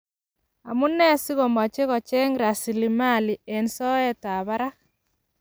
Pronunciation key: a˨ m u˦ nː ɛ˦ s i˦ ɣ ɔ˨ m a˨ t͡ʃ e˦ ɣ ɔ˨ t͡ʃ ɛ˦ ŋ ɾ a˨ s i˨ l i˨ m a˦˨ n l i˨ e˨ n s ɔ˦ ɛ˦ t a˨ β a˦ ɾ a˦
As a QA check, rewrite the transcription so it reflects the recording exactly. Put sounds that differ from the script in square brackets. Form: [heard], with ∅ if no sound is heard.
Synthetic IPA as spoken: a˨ m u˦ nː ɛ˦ s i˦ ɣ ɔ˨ m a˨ t͡ʃ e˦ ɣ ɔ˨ t͡ʃ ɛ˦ ŋ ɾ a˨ s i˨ l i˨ m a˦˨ [∅] l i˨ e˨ n s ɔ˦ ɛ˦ t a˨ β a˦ ɾ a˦